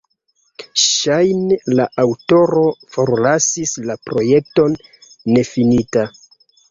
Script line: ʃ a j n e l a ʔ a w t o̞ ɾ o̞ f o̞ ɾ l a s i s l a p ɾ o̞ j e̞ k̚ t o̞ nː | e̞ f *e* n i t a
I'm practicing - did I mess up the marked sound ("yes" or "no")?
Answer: yes